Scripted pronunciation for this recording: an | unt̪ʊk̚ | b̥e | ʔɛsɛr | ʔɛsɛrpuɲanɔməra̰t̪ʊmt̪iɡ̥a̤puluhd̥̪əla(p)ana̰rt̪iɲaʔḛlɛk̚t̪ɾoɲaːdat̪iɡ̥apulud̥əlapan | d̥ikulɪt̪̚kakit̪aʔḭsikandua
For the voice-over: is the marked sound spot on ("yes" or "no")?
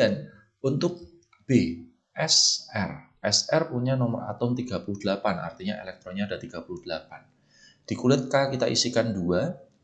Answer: yes